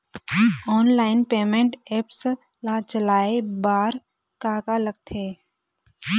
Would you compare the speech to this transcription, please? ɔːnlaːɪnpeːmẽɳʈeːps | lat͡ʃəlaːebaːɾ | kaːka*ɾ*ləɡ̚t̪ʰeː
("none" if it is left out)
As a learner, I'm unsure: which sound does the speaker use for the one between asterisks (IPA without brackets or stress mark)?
none